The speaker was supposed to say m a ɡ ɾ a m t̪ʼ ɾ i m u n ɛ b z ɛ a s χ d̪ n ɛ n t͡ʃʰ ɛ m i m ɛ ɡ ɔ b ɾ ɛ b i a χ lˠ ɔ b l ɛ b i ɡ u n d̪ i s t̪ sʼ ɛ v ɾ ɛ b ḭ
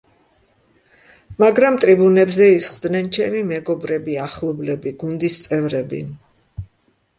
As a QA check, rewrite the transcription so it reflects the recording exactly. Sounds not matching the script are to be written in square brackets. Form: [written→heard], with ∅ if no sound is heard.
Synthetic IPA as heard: m a ɡ ɾ a m t̪ʼ ɾ i [m→b] u n ɛ b z ɛ [a→i] s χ d̪ n ɛ n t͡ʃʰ ɛ m i m ɛ ɡ ɔ b ɾ ɛ b i a χ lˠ ɔ b l ɛ b i ɡ u n d̪ i s t̪ sʼ ɛ v ɾ ɛ b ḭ